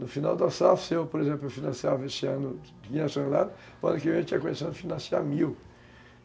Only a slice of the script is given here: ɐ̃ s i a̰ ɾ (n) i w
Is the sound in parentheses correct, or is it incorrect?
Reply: incorrect: m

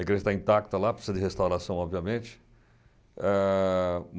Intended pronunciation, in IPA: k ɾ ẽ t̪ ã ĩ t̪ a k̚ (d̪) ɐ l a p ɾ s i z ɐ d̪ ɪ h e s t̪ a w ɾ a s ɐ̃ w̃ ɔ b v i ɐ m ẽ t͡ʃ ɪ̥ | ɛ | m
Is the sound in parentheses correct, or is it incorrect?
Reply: incorrect: t̪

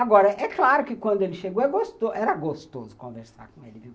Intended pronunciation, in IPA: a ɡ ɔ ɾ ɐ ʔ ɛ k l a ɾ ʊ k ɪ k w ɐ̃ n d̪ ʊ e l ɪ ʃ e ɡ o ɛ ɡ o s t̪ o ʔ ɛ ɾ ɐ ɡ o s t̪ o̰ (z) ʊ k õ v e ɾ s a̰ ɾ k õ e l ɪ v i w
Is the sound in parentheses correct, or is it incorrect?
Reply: correct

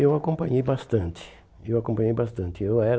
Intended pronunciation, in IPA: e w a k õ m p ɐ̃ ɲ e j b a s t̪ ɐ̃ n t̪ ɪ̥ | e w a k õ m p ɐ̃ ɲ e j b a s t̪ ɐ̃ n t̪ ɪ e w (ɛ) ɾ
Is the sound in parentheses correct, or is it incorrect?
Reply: correct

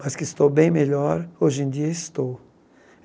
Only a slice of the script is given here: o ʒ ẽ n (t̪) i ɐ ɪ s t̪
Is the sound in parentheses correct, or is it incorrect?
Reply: incorrect: d̪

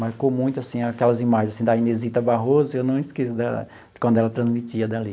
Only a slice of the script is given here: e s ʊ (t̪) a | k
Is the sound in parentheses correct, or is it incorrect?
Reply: incorrect: d̪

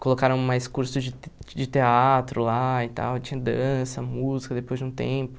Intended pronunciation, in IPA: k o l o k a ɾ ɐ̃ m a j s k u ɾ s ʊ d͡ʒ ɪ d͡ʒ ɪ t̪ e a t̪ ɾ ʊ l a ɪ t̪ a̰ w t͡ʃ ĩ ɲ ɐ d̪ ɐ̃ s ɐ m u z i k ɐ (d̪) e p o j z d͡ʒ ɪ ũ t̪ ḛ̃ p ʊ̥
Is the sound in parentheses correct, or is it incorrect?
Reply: correct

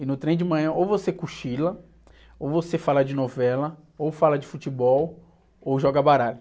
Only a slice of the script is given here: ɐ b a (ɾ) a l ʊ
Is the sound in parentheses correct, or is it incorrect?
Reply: correct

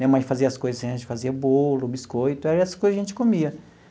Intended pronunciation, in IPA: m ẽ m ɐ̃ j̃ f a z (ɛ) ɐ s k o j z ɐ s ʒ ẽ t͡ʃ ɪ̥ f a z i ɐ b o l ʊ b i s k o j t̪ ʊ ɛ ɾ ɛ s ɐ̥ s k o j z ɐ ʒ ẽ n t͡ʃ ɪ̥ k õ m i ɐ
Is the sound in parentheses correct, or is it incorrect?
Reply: incorrect: i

